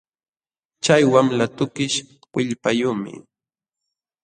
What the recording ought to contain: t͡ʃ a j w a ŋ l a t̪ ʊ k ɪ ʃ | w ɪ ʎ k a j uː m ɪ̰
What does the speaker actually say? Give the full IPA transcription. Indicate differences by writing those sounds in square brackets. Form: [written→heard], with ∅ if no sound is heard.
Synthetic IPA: t͡ʃ a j w a [ŋ→m] l a t̪ ʊ k ɪ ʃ | w ɪ ʎ [k→p] a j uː m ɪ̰